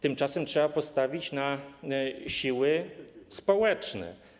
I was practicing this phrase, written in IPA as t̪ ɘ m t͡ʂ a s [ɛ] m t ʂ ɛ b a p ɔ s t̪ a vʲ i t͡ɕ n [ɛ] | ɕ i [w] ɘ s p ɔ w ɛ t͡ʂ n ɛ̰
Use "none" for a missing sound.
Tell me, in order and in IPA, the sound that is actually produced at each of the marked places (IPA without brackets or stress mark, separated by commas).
ɛ, a, w